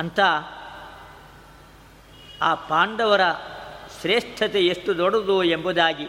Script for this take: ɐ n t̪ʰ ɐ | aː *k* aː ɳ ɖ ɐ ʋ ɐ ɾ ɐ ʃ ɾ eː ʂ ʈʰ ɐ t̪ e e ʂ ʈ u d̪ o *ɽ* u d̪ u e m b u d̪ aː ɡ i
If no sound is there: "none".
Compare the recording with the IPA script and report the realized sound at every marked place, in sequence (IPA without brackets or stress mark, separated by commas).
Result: p, ɽ